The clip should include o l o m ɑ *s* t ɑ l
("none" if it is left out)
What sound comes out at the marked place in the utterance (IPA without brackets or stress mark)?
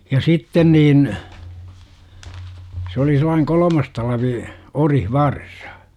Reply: s